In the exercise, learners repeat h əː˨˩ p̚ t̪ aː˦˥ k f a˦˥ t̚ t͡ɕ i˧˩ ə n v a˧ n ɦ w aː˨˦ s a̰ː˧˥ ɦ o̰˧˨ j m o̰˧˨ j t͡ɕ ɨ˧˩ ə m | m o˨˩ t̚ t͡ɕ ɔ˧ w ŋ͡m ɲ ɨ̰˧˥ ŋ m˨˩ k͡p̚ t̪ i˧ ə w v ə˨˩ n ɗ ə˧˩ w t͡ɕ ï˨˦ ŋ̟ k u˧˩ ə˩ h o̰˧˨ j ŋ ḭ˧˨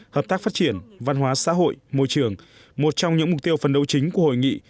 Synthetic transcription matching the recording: h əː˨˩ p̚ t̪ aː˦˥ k f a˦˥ t̚ t͡ɕ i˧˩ ə n v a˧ n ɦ w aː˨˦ s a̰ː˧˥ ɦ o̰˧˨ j m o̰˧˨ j t͡ɕ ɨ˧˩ ə ŋ | m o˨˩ t̚ t͡ɕ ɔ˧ w ŋ͡m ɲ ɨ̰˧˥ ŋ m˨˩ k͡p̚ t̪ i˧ ə w f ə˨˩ n ɗ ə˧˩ w t͡ɕ ï˨˦ ŋ̟ k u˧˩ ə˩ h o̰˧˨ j ŋ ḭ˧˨